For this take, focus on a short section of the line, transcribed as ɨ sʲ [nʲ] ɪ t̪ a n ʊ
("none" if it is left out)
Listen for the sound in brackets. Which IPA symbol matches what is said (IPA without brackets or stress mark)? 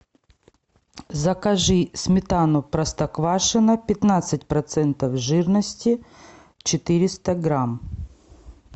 mʲ